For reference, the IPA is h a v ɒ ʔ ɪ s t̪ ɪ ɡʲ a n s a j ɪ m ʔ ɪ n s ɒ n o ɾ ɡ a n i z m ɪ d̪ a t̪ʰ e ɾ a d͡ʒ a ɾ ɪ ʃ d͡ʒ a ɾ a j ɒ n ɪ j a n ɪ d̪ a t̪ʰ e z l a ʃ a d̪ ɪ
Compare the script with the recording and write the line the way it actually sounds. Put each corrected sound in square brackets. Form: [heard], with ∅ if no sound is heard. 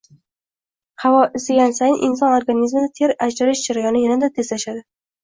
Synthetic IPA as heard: h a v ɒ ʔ ɪ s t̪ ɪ ɡʲ a n s a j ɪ [n] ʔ ɪ n s ɒ n o ɾ ɡ a n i z m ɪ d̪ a t̪ʰ e ɾ a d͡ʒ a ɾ ɪ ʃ d͡ʒ a ɾ a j ɒ n ɪ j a n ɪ d̪ a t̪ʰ e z l a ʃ a d̪ ɪ